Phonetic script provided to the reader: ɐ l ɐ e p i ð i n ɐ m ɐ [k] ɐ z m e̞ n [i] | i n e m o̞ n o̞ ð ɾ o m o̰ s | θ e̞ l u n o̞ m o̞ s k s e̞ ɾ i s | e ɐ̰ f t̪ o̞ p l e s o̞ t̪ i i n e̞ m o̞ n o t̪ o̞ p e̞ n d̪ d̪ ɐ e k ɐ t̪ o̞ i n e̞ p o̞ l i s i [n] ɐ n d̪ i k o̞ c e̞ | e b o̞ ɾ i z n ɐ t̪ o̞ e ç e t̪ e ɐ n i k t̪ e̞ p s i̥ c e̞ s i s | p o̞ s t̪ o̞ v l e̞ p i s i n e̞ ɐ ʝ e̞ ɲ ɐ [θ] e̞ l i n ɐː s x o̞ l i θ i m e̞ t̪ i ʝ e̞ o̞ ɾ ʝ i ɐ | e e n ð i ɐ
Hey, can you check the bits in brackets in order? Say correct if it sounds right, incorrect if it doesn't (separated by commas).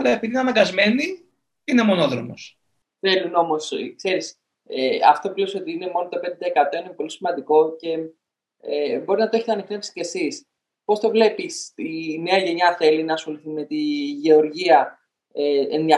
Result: incorrect, correct, incorrect, correct